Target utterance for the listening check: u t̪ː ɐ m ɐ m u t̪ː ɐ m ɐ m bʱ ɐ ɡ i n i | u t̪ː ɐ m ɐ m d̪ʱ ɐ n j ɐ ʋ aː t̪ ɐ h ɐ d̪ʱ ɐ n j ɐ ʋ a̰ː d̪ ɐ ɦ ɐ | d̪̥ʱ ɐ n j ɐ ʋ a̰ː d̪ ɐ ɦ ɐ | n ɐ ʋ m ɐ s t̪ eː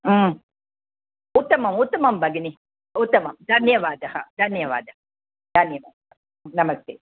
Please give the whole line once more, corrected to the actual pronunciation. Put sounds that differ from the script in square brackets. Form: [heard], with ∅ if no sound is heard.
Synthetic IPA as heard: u t̪ː ɐ m ɐ m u t̪ː ɐ m ɐ m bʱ ɐ ɡ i n i | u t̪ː ɐ m ɐ m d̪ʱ ɐ n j ɐ ʋ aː [d̪] ɐ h ɐ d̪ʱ ɐ n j ɐ ʋ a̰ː d̪ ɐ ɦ ɐ | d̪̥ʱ ɐ n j ɐ ʋ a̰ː d̪ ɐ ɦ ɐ | n ɐ [∅] m ɐ s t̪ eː